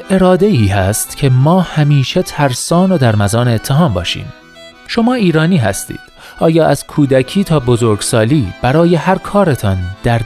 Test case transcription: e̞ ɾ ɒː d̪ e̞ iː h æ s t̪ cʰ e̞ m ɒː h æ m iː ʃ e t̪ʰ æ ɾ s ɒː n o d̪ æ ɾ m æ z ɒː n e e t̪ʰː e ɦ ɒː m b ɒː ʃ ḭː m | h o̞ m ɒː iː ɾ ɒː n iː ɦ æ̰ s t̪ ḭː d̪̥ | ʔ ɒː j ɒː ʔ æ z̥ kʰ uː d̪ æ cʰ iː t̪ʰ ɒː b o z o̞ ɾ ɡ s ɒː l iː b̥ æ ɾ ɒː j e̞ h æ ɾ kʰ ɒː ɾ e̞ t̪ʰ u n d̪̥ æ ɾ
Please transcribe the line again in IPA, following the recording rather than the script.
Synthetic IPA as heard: e̞ ɾ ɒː d̪ e̞ iː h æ s t̪ cʰ e̞ m ɒː h æ m iː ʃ e t̪ʰ æ ɾ s ɒː n o d̪ æ ɾ m æ z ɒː n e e t̪ʰː e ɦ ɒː m b ɒː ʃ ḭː m | ʃ o̞ m ɒː iː ɾ ɒː n iː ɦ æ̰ s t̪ ḭː d̪̥ | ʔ ɒː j ɒː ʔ æ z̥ kʰ uː d̪ æ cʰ iː t̪ʰ ɒː b o z o̞ ɾ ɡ s ɒː l iː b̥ æ ɾ ɒː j e̞ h æ ɾ kʰ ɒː ɾ e̞ t̪ʰ ɒ n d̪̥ æ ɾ